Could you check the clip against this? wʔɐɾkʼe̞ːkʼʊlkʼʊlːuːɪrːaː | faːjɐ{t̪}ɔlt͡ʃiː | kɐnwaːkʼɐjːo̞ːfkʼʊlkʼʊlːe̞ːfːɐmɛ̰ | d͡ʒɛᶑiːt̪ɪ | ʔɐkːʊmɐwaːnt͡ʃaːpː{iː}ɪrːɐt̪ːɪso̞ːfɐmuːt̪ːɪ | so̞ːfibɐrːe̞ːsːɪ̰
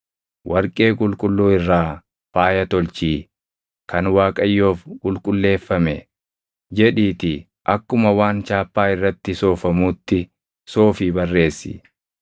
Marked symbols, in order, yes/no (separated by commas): yes, no